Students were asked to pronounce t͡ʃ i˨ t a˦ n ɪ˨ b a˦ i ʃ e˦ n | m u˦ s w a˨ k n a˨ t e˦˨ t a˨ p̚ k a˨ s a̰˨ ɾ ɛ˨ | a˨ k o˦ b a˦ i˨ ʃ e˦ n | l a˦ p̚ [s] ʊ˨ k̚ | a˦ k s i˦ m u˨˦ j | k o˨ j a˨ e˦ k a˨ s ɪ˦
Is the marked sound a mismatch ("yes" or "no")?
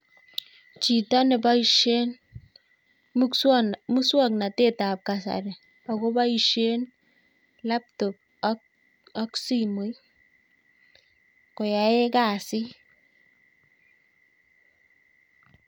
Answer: yes